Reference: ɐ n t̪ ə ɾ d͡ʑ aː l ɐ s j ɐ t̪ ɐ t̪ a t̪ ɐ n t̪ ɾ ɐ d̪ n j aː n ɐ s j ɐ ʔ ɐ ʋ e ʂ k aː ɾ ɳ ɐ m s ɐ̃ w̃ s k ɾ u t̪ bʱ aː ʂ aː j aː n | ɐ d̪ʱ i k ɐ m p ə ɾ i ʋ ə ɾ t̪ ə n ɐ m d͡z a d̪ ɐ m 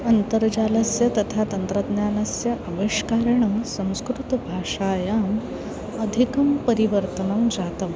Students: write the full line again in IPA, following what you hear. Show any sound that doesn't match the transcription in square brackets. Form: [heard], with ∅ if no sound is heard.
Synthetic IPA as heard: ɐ n t̪ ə ɾ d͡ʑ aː l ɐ s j ɐ t̪ ɐ [t̪ʰ] a t̪ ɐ n t̪ ɾ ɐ d̪ n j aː n ɐ s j ɐ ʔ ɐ ʋ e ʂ k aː ɾ ɳ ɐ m s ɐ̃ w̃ s k ɾ u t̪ bʱ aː ʂ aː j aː [m] | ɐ d̪ʱ i k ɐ m p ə ɾ i ʋ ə ɾ t̪ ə n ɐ m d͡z a [t̪] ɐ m